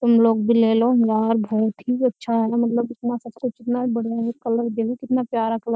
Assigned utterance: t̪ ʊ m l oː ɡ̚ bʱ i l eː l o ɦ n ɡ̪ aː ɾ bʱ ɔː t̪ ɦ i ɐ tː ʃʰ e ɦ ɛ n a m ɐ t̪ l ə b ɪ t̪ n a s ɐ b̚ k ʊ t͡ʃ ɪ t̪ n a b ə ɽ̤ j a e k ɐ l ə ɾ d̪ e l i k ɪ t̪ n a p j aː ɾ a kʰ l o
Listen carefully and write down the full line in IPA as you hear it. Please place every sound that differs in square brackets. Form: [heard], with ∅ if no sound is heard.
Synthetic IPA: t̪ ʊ m l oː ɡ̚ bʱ i l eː l o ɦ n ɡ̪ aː ɾ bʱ ɔː t̪ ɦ i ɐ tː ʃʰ [a] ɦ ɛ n a m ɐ t̪ l ə b ɪ t̪ n a s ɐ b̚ k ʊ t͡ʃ ɪ t̪ n a b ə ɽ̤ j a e k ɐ l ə ɾ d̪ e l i k ɪ t̪ n a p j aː ɾ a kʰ l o